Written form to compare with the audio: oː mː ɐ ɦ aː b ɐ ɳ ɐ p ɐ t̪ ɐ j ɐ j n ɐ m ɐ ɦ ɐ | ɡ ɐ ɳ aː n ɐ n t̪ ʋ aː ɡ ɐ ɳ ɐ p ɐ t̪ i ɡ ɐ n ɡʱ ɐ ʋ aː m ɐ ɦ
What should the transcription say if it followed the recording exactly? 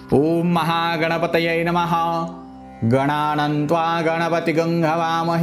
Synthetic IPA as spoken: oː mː ɐ ɦ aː ɡ ɐ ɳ ɐ p ɐ t̪ ɐ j ɐ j n ɐ m ɐ ɦ ɐ | ɡ ɐ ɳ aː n ɐ n t̪ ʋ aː ɡ ɐ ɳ ɐ p ɐ t̪ i ɡ ɐ ŋ ɡʱ ɐ ʋ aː m ɐ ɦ